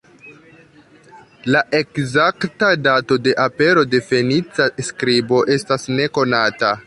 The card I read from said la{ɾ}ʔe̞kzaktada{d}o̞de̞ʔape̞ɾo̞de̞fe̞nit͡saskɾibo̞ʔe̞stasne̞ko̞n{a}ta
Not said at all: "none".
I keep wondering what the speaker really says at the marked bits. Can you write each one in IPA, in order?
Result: none, t, a

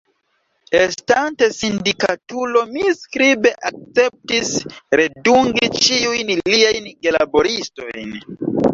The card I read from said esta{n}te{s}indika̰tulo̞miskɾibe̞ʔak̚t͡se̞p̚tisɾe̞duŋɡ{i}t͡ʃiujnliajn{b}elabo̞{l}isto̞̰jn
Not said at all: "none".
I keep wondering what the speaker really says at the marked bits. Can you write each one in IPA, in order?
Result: n, s, i, ɡ, ɾ

